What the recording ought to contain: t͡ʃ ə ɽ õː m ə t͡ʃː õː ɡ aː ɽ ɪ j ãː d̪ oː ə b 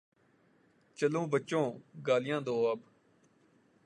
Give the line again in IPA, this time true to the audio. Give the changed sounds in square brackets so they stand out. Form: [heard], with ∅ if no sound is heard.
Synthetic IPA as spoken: t͡ʃ ə [l] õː [b] ə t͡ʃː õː ɡ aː [l] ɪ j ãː d̪ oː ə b